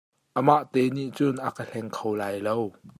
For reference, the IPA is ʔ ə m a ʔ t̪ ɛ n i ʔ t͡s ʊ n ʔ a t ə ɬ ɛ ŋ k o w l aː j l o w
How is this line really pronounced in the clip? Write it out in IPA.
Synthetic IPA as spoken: ʔ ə m a ʔ t̪ ɛ n i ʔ t͡s ʊ n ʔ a k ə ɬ ɛ ŋ kʰ o w l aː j l o w